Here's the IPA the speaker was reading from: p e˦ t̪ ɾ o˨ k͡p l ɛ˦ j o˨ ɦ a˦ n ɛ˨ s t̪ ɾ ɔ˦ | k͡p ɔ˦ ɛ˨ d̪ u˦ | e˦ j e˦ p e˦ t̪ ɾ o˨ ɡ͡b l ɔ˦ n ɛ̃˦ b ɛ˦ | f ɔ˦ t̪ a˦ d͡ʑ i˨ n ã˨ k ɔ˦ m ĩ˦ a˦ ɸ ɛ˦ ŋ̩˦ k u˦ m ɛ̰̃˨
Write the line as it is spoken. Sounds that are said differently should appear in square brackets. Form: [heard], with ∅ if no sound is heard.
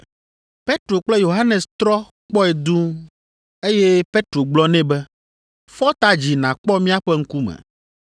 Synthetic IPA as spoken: p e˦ t̪ ɾ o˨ k͡p l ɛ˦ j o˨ ɦ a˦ n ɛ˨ s t̪ ɾ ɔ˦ | k͡p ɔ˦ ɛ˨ d̪ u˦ | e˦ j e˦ p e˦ t̪ ɾ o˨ ɡ͡b l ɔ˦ n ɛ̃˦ b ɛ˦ | f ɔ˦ t̪ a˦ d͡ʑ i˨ n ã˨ [k͡p] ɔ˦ m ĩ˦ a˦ ɸ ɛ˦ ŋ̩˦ k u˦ m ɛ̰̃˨